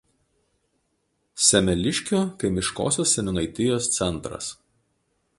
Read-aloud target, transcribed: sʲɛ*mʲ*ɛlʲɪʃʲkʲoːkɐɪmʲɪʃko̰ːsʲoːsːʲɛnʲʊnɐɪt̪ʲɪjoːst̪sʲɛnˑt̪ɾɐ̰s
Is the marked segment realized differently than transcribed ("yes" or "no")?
no